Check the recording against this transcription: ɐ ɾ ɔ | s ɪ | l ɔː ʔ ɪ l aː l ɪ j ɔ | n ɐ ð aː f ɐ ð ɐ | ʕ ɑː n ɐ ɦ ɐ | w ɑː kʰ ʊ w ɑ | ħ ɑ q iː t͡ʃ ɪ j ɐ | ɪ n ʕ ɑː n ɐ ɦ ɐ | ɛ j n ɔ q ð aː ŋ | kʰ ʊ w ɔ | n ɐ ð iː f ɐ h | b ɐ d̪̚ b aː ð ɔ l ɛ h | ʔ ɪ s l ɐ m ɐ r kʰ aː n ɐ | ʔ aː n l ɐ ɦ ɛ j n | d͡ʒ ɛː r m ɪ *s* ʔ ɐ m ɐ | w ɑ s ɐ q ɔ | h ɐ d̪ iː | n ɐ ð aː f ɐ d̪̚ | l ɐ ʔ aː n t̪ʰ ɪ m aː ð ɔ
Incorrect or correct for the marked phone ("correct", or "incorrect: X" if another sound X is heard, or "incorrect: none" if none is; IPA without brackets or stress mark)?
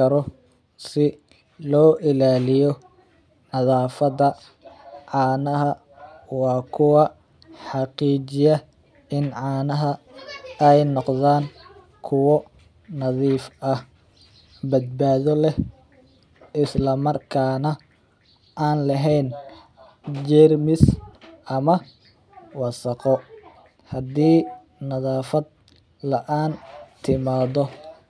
correct